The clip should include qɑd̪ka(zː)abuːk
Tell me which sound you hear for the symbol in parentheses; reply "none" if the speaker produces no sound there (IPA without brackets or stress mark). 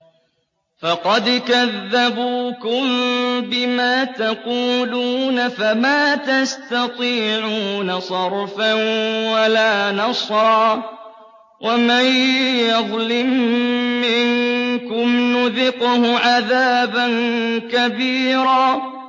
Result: ðː